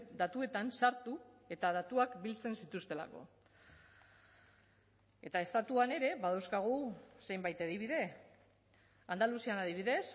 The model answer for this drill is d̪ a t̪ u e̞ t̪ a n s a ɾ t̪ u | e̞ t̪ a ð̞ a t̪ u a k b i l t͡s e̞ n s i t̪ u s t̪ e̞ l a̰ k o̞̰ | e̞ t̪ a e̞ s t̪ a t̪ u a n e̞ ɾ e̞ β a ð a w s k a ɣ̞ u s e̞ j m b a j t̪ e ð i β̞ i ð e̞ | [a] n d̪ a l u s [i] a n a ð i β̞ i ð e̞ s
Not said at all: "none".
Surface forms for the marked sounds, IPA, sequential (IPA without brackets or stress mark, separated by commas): a, i